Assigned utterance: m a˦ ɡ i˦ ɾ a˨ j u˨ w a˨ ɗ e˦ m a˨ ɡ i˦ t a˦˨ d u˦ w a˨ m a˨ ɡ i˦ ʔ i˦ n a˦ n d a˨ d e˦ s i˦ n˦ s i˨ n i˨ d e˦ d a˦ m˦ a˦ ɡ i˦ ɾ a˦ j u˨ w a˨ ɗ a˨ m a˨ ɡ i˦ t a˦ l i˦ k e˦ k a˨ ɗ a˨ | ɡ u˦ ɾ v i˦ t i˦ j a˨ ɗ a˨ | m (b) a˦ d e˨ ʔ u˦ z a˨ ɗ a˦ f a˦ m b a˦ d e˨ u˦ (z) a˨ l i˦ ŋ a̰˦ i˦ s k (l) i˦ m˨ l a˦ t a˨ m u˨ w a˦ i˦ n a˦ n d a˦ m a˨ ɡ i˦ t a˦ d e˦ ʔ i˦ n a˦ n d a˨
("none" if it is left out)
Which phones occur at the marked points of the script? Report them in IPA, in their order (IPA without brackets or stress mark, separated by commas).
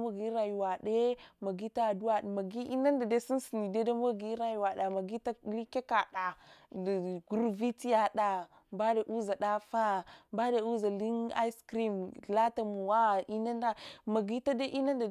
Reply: b, z, ɾ